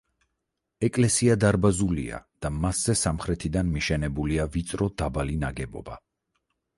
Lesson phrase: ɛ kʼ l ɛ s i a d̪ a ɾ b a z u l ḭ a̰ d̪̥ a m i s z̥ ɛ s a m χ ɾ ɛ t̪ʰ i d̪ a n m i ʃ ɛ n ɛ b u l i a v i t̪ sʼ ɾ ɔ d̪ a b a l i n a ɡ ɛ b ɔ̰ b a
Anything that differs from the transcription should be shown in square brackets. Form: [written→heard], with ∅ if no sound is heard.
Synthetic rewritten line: ɛ kʼ l ɛ s i a d̪ a ɾ b a z u l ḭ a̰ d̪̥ a m [i→a] s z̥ ɛ s a m χ ɾ ɛ t̪ʰ i d̪ a n m i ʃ ɛ n ɛ b u l i a v i t̪ sʼ ɾ ɔ d̪ a b a l i n a ɡ ɛ b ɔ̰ b a